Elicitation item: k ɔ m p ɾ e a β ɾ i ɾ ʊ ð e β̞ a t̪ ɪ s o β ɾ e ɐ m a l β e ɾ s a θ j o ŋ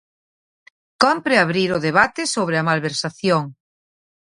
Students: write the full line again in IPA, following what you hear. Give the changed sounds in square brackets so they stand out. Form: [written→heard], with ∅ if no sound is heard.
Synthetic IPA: k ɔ m p ɾ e a β ɾ i ɾ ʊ ð e β̞ a t̪ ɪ s o β ɾ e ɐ m a l β e ɾ s a θ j o ŋ